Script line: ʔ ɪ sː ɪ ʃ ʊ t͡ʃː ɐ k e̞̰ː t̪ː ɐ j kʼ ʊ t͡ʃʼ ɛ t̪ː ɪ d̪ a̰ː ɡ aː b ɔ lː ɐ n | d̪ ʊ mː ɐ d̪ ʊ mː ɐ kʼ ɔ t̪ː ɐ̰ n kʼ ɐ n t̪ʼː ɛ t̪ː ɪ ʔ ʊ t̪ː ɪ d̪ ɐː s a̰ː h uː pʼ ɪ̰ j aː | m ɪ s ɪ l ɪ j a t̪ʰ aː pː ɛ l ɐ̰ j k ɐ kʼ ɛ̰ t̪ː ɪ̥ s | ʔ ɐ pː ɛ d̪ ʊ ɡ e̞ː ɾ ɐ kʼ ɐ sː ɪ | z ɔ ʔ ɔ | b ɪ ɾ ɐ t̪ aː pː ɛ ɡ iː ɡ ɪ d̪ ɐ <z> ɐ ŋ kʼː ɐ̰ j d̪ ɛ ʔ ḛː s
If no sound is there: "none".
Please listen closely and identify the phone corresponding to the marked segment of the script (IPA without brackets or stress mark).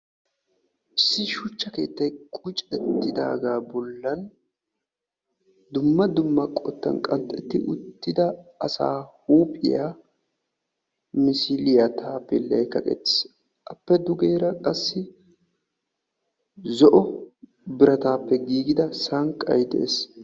s